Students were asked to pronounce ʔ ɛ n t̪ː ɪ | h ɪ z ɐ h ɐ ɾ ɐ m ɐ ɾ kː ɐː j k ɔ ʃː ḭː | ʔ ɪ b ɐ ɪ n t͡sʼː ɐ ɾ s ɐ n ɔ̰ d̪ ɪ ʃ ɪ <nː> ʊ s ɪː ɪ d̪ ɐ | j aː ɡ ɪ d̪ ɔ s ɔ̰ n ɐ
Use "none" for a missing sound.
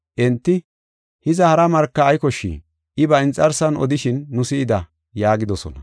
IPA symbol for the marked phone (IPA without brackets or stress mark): nː